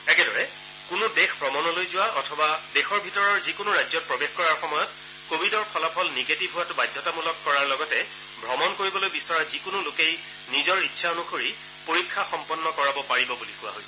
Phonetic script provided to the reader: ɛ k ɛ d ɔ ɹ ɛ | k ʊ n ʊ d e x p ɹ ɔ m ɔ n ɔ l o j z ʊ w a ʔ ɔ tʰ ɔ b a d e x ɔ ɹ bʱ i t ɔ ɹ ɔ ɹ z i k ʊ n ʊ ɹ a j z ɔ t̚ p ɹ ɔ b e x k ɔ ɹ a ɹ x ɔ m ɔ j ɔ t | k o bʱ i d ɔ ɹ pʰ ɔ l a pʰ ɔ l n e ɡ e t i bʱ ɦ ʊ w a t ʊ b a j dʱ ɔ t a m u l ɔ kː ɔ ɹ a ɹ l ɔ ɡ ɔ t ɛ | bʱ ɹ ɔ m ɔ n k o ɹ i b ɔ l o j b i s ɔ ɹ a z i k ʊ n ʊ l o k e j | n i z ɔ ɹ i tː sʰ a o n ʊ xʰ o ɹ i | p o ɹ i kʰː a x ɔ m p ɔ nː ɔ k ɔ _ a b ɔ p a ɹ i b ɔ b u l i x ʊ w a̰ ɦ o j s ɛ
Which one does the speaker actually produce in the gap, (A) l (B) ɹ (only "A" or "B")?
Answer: B